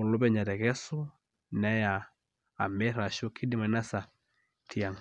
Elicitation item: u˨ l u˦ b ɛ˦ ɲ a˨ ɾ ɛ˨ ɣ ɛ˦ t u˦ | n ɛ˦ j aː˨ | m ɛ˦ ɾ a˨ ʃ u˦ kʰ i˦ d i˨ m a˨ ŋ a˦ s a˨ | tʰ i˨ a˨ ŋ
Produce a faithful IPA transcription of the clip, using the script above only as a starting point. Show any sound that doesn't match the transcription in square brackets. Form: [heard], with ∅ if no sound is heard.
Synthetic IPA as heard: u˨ l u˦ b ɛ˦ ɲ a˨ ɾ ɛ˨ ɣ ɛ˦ [s] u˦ | n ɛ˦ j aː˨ | m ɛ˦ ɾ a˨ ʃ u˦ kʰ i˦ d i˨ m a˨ [n] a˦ s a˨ | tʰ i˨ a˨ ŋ